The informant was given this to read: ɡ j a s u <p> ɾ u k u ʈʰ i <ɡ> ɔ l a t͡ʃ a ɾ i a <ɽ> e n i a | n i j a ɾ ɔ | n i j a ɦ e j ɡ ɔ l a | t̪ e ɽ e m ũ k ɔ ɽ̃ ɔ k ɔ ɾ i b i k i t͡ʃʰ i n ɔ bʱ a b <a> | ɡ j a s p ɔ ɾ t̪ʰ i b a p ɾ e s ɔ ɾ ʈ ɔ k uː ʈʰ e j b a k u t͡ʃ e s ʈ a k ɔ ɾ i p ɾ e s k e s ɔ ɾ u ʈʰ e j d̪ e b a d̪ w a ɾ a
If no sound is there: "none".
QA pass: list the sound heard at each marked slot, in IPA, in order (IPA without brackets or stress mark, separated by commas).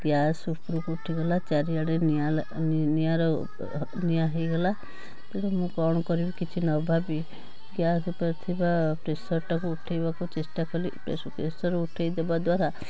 p, ɡ, ɽ, i